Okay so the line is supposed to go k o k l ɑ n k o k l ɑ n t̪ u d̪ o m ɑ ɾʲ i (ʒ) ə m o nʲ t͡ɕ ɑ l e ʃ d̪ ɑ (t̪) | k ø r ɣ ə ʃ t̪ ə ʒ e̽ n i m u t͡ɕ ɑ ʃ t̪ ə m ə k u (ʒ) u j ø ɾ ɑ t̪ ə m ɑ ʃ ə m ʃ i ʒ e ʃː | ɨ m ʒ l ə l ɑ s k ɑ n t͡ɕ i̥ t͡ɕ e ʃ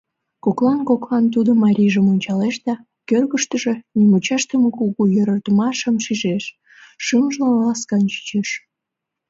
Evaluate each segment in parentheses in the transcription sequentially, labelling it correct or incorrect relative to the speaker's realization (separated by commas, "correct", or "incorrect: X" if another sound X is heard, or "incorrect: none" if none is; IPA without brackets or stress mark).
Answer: correct, incorrect: none, incorrect: ɣ